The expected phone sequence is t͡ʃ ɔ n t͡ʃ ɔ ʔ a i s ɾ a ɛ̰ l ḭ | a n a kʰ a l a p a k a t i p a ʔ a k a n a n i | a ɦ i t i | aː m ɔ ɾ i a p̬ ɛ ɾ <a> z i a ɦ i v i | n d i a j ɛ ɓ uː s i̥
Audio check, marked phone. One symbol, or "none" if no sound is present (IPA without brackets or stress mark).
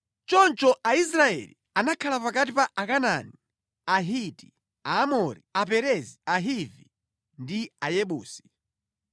ɛ